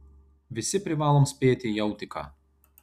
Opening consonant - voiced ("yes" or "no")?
yes